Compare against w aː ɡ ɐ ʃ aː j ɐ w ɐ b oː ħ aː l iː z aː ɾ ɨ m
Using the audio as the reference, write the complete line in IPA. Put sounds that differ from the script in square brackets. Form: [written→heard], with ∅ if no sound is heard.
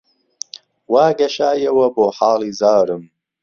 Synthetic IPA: w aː ɡ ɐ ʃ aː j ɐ w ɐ b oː ħ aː l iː z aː ɾ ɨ m

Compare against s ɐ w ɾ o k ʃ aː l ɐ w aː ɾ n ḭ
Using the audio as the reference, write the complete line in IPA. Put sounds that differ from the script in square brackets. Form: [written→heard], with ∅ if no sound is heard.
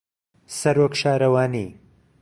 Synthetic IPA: s ɐ [w→∅] ɾ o k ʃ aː [l→ɾ] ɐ w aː [ɾ→∅] n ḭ

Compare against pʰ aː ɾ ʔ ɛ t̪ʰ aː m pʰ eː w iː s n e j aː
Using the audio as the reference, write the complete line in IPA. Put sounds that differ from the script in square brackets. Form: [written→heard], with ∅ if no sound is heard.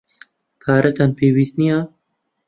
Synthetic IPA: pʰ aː ɾ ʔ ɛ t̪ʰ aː [m→n] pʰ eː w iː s n [e→i] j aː

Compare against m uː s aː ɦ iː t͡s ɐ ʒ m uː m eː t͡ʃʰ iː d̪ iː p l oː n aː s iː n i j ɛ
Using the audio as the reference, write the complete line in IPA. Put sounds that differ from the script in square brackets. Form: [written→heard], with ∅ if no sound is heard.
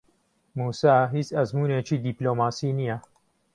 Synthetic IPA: m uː s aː ɦ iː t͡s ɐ [ʒ→z] m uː [m→n] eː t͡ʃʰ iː d̪ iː p l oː [n→m] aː s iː n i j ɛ

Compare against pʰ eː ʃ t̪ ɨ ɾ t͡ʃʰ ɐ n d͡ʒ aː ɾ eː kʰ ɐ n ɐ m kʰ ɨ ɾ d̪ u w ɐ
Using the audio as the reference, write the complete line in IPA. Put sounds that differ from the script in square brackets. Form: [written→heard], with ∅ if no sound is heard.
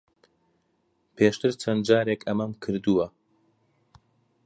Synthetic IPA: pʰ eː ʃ t̪ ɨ ɾ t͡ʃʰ ɐ n d͡ʒ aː ɾ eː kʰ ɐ [n→m] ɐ m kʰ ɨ ɾ d̪ u w ɐ

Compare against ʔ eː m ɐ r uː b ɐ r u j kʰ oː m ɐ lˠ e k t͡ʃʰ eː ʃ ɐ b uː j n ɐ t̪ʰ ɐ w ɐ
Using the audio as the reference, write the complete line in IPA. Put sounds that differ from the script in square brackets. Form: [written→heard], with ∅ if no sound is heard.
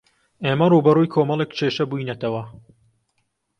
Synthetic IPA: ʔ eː m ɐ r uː b ɐ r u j kʰ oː m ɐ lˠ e k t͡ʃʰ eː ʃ ɐ b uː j n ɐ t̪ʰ ɐ w ɐ

